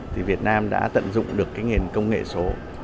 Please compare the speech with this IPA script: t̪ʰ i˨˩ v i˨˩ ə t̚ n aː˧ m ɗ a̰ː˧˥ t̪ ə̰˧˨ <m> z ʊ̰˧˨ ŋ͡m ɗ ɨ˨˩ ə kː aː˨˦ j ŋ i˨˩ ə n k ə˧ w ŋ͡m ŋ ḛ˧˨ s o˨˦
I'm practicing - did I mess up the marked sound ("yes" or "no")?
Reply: yes